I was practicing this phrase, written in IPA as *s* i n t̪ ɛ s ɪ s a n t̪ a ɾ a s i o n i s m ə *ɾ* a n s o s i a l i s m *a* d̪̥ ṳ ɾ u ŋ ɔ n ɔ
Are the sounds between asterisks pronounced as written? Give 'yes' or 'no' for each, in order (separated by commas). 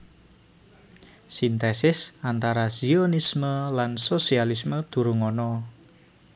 yes, no, no